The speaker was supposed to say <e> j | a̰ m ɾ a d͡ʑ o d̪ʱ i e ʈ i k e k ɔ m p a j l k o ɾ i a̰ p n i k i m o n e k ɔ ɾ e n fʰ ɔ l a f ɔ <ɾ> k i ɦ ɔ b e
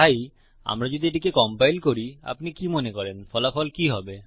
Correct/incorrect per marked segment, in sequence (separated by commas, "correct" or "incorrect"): incorrect, incorrect